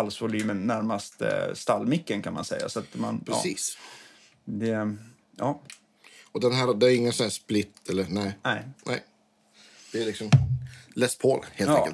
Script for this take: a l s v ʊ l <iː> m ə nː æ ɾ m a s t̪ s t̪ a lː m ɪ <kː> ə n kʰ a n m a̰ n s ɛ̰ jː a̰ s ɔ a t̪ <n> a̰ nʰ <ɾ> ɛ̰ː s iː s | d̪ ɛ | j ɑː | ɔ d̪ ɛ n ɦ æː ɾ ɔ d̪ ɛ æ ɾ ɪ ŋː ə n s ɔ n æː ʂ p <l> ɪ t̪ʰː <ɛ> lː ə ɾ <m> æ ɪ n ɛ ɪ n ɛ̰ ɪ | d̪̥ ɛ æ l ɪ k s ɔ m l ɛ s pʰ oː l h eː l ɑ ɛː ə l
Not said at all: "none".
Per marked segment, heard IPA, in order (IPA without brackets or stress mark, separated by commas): yː, kː, m, ɾ, l, ɛ, n